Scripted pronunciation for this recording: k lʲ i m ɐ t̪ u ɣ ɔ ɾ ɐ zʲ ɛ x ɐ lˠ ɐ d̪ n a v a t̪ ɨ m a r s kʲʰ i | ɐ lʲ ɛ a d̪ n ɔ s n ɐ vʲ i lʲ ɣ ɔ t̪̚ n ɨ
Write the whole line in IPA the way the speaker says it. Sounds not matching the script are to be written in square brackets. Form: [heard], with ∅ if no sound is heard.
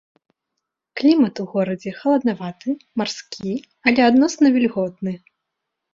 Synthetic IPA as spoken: k lʲ i m ɐ t̪ u ɣ ɔ ɾ ɐ [d͡zʲ] ɛ x ɐ lˠ ɐ d̪ n a v a t̪ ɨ m a r s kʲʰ i | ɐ lʲ ɛ a d̪ n ɔ s n ɐ vʲ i lʲ ɣ ɔ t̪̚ n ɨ